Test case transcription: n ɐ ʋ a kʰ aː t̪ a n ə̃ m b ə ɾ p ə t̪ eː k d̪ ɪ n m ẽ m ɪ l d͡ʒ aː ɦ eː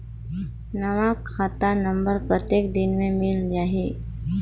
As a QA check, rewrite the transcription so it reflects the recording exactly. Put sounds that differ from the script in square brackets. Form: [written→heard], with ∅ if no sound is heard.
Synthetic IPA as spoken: n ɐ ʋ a kʰ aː t̪ a n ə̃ m b ə ɾ p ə t̪ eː k d̪ ɪ n m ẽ m ɪ l d͡ʒ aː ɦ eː